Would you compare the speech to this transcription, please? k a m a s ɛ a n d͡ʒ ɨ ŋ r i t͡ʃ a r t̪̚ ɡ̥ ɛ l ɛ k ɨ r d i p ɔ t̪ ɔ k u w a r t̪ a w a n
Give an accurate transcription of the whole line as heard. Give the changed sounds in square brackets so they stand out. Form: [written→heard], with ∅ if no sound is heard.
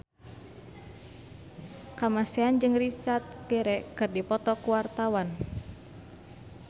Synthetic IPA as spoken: k a m a s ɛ a n d͡ʒ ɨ ŋ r i t͡ʃ a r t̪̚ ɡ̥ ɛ [l→ɾ] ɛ k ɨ r d i p ɔ t̪ ɔ k u w a r t̪ a w a n

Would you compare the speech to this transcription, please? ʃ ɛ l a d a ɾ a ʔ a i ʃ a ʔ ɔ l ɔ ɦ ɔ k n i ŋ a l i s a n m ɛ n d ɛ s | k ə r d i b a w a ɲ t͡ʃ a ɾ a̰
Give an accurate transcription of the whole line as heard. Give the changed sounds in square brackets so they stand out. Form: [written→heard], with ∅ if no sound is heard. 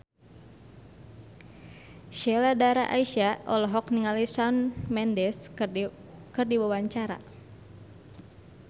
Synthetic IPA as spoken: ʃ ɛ l a d a ɾ a ʔ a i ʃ a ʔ ɔ l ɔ ɦ ɔ k n i ŋ a l i s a n m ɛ n d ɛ s | k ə r d i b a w a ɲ t͡ʃ a ɾ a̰

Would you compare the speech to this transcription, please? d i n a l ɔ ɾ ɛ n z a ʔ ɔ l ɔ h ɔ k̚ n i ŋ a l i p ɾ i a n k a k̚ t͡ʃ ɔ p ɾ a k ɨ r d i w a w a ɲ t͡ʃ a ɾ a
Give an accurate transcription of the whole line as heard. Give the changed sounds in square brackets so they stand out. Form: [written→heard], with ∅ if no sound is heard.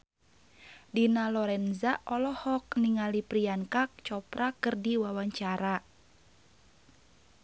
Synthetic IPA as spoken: d i n a l ɔ ɾ ɛ n z a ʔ ɔ l ɔ h ɔ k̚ n i ŋ a l i p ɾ i a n k a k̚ t͡ʃ ɔ p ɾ a k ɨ r d i w a w a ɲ t͡ʃ a ɾ a

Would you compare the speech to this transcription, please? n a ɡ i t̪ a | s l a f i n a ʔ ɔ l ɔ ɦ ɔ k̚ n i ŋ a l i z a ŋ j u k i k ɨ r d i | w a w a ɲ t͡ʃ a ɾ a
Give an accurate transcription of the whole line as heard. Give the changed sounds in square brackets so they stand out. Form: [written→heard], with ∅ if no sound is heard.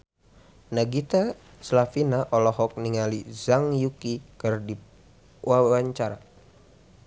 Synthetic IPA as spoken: n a ɡ i t̪ a | s l a f i n a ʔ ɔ l ɔ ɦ ɔ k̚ n i ŋ a l i z a ŋ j u k i k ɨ r d i | w a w a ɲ t͡ʃ a ɾ a

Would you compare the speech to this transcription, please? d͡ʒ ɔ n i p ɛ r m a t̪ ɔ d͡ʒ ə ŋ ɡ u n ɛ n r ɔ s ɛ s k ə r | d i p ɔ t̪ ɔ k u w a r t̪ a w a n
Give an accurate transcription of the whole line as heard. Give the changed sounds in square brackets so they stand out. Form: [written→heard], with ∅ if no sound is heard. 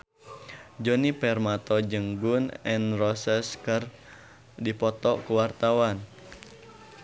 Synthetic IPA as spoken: d͡ʒ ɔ n i p ɛ r m a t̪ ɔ d͡ʒ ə ŋ ɡ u n ɛ n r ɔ s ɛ s k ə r | d i p ɔ t̪ ɔ k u w a r t̪ a w a n

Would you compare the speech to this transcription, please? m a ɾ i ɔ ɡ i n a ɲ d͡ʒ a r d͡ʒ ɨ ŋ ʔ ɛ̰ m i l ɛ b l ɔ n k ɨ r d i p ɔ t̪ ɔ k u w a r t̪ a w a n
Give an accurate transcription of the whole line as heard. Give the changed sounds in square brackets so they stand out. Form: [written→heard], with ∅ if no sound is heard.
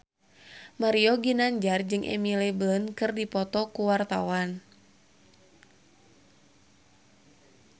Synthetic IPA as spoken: m a ɾ i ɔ ɡ i n a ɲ d͡ʒ a r d͡ʒ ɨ ŋ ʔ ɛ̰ m i l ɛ b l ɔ n k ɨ r d i p ɔ t̪ ɔ k u w a r t̪ a w a n

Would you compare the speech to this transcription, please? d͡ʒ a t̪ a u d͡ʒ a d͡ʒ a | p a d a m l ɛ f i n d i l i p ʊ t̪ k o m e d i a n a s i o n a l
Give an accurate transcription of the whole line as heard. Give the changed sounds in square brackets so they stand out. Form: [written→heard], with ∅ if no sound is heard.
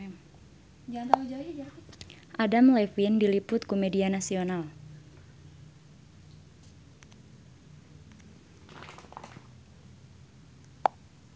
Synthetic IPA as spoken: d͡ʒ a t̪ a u d͡ʒ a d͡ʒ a | [p→ʔ] a d a m l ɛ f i n d i l i p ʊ t̪ k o m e d i a n a s i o n a l

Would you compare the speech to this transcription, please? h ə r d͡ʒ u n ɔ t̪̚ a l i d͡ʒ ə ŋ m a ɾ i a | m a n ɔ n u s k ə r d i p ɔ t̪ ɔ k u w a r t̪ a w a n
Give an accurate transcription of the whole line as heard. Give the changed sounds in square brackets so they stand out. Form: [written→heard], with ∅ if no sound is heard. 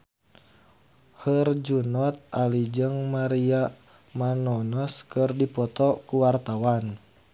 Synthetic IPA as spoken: h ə r d͡ʒ u n ɔ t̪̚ a l i d͡ʒ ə ŋ m a ɾ i a | m a n ɔ n [u→ɔ] s k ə r d i p ɔ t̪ ɔ k u w a r t̪ a w a n

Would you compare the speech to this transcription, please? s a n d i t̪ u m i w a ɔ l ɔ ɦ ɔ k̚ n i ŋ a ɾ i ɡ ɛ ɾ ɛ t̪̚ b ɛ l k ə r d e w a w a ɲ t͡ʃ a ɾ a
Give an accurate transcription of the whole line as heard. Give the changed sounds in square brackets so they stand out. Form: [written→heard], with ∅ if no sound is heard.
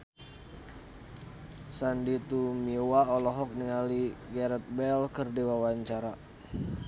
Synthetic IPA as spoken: s a n d i t̪ u m i w a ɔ l ɔ ɦ ɔ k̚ n i ŋ a [ɾ→l] i ɡ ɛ ɾ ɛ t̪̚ b ɛ l k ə r d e w a w a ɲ t͡ʃ a ɾ a

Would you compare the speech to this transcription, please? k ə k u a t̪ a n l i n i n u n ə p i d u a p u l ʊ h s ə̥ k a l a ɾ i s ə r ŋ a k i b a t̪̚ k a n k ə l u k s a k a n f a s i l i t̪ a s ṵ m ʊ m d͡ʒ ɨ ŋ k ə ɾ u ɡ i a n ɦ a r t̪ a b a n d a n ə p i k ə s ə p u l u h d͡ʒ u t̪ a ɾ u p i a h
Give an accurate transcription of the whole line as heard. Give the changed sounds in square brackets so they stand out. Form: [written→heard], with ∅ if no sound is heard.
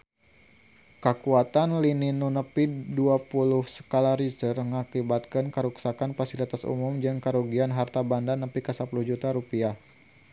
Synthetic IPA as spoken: k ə k u a t̪ a n l i n i n u n ə p i d u a p u l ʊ h s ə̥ k a l a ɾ i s ə r ŋ a k i b a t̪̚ k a n k ə [l→ɾ] u k s a k a n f a s i l i t̪ a s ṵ m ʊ m d͡ʒ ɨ ŋ k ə ɾ u ɡ i a n ɦ a r t̪ a b a n d a n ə p i k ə s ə p u l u h d͡ʒ u t̪ a ɾ u p i a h

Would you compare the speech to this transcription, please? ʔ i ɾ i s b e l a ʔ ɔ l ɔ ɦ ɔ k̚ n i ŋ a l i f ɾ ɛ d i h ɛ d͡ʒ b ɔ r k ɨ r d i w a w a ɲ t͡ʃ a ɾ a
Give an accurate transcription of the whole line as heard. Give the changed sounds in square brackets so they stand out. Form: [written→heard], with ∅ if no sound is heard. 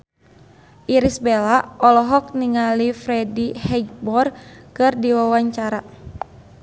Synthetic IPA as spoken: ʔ i ɾ i s b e l a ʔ ɔ l ɔ ɦ ɔ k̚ n i ŋ a l i f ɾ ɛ d i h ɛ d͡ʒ b ɔ r k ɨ r d i w a w a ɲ t͡ʃ a ɾ a

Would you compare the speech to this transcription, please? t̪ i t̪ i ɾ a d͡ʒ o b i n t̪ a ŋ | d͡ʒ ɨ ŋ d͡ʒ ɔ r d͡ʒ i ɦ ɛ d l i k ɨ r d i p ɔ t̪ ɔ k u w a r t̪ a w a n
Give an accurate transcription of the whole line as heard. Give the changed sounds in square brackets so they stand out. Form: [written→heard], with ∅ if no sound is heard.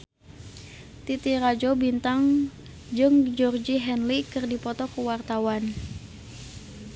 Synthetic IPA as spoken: t̪ i t̪ i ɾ a d͡ʒ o b i n t̪ a ŋ | d͡ʒ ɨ ŋ d͡ʒ ɔ r d͡ʒ i ɦ ɛ [d→n] l i k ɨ r d i p ɔ t̪ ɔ k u w a r t̪ a w a n

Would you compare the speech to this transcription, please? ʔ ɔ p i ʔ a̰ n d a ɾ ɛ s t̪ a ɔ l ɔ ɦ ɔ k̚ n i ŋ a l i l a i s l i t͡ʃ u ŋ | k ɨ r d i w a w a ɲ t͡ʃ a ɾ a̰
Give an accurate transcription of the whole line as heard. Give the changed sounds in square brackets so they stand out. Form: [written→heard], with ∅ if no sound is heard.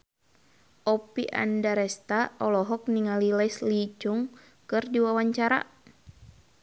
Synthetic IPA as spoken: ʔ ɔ p i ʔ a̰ n d a ɾ ɛ s t̪ a ɔ l ɔ ɦ ɔ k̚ n i ŋ a l i l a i s l i t͡ʃ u ŋ | k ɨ r d i w a w a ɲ t͡ʃ a ɾ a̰

